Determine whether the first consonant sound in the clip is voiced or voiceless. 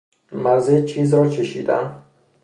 voiced